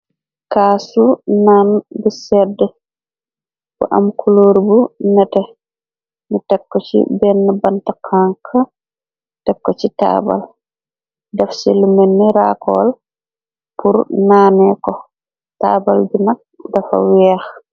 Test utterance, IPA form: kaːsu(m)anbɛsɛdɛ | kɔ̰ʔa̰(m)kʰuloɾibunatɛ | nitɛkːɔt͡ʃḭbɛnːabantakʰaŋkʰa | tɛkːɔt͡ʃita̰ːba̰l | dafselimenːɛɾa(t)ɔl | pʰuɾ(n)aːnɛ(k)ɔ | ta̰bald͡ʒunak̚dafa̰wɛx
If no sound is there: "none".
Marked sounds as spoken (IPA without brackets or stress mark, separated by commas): n, m, k, n, k